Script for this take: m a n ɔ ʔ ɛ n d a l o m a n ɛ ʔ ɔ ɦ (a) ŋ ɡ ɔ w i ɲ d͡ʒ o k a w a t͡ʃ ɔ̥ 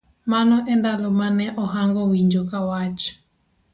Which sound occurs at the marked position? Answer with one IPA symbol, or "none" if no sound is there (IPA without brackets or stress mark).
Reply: a